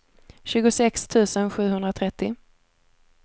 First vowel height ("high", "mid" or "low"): high